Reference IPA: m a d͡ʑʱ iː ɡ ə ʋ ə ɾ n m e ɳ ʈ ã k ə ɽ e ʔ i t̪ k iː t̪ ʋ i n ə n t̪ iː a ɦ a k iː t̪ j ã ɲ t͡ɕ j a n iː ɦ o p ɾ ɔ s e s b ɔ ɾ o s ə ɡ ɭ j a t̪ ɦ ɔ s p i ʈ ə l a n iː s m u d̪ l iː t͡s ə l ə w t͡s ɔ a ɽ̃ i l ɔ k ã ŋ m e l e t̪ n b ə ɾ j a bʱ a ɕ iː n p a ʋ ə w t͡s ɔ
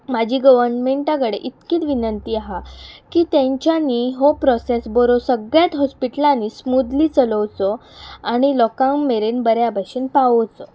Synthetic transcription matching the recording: m a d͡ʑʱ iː ɡ ə ʋ ə ɾ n m e ɳ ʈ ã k ə ɽ e ʔ i t̪ k iː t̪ ʋ i n ə n t̪ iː a ɦ a k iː t̪ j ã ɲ t͡ɕ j a n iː ɦ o p ɾ ɔ s e s b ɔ ɾ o s ə ɡ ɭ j a t̪ ɦ ɔ s p i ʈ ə l a n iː s m u d̪ l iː t͡s ə l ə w t͡s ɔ a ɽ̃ i l ɔ k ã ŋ m e ɾ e n b ə ɾ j a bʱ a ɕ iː n p a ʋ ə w t͡s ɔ